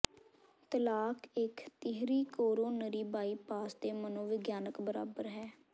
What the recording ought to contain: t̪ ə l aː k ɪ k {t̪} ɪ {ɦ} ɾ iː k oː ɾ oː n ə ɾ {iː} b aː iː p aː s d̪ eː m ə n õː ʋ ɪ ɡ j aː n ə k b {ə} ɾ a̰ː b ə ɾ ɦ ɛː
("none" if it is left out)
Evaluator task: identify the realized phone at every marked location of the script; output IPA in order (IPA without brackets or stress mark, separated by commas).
t̪, ɦ, iː, ə